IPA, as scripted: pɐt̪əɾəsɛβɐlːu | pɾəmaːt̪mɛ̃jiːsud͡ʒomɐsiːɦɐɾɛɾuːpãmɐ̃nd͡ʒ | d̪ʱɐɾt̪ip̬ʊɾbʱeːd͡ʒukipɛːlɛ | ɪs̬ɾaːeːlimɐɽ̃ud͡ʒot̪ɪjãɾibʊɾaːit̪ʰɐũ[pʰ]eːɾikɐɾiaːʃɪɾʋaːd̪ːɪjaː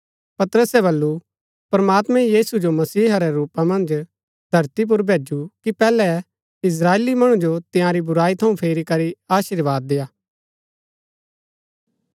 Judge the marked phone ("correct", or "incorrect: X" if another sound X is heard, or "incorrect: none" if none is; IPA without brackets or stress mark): correct